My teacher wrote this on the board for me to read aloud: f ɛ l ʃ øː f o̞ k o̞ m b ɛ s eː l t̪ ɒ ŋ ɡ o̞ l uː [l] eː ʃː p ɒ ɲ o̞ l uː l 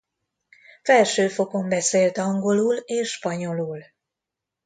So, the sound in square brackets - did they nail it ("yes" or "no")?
yes